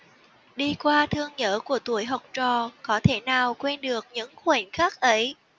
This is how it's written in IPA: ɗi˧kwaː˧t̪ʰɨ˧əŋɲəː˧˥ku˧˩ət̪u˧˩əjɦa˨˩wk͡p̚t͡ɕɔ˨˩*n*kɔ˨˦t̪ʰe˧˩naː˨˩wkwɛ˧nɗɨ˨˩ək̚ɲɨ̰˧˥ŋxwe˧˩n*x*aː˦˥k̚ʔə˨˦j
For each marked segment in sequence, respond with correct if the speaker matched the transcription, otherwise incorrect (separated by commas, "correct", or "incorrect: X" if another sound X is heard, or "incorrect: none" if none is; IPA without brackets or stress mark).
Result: incorrect: none, correct